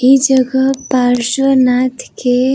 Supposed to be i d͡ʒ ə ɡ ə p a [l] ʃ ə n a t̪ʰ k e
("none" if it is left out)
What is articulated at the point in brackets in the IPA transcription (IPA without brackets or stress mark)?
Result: ɾ